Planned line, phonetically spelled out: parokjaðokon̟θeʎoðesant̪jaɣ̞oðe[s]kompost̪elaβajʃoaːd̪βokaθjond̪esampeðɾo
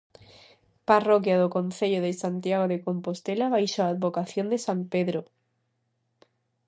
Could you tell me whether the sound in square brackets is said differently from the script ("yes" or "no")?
yes